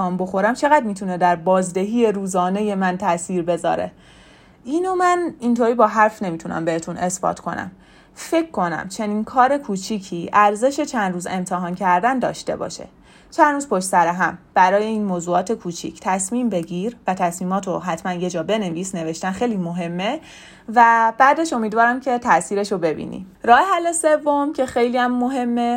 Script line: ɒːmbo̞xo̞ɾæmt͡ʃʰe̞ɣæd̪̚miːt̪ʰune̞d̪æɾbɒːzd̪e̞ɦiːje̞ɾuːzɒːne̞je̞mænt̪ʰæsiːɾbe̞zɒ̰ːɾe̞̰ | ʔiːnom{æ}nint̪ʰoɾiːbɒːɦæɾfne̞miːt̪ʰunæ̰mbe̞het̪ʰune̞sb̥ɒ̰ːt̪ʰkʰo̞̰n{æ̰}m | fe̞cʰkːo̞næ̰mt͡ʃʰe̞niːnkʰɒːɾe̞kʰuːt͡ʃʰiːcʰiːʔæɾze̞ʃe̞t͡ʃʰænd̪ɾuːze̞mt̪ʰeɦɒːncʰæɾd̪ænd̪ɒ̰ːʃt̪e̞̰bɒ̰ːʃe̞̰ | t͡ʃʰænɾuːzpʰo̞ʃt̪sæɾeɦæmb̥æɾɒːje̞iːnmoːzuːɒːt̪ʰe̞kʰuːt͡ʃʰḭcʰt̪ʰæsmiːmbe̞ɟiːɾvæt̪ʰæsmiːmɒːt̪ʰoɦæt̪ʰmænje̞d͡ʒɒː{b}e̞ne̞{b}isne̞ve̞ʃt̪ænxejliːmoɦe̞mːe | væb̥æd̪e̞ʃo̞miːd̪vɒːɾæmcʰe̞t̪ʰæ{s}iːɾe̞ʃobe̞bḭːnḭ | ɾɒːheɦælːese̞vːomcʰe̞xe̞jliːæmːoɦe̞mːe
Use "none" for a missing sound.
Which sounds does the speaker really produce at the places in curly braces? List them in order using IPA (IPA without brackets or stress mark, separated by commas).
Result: æ, æ̰, b, v, s